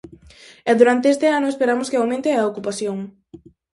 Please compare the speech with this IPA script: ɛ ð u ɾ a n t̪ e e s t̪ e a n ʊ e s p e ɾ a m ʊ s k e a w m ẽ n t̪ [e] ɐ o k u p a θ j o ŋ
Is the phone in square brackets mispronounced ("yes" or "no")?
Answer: no